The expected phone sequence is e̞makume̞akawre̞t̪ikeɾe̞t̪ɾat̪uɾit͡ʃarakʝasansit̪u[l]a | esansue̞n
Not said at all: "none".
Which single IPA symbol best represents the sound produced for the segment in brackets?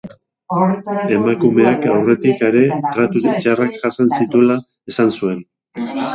l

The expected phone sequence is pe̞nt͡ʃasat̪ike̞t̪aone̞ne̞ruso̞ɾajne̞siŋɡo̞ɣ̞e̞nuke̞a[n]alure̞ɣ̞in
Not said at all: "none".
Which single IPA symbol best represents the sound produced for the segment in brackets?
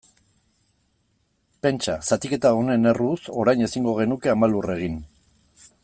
m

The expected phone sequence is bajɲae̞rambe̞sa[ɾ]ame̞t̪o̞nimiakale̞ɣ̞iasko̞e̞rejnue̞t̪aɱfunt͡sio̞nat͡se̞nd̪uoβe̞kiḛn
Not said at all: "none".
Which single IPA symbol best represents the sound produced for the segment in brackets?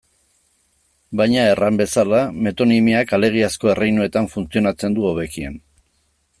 l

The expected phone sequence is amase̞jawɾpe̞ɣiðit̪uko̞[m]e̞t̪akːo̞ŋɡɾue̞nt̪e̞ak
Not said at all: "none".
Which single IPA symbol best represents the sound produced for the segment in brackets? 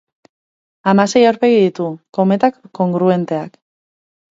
m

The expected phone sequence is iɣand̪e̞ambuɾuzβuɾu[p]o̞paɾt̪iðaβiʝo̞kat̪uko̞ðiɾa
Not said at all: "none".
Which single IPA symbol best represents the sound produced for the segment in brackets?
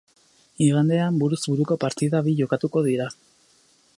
k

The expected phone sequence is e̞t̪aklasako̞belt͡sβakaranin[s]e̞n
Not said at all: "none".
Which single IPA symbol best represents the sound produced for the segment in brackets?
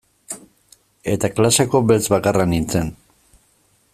t͡s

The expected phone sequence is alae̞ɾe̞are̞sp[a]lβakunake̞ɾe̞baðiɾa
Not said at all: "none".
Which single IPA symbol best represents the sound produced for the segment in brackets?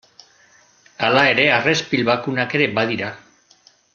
i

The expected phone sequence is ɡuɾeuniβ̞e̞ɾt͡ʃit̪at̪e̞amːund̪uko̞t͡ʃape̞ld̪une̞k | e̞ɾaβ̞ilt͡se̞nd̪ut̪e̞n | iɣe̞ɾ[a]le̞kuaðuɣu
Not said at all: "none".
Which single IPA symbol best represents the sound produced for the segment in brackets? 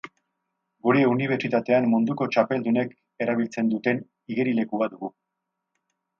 i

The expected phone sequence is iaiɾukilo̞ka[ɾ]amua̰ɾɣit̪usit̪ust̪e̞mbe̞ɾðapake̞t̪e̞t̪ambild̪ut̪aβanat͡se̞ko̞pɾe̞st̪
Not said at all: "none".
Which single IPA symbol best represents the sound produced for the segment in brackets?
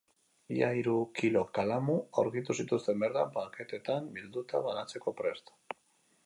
l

